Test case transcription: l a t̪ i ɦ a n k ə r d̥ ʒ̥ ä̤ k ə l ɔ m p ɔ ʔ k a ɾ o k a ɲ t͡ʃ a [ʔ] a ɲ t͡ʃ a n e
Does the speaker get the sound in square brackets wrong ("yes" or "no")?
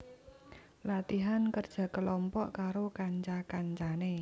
yes